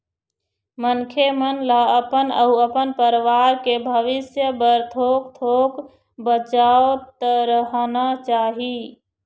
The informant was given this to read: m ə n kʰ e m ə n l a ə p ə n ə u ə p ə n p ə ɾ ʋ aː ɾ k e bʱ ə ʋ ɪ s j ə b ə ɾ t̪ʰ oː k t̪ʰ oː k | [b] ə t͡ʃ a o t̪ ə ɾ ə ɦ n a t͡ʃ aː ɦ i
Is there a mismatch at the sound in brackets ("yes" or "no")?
no